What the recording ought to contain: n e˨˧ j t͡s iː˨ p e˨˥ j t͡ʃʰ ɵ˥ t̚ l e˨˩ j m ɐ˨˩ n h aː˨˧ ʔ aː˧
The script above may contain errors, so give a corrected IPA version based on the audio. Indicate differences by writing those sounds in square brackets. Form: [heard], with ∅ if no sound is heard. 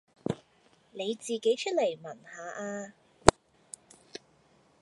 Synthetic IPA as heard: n e˨˧ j t͡s iː˨ [k] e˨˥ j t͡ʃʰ ɵ˥ t̚ l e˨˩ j m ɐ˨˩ n h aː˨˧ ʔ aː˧

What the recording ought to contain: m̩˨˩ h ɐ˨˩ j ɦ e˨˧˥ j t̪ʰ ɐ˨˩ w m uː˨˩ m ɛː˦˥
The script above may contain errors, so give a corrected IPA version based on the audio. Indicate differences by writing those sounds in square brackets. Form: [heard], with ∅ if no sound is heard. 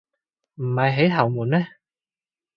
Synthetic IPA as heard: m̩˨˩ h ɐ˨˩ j ɦ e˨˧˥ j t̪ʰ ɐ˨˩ w m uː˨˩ [n] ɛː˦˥

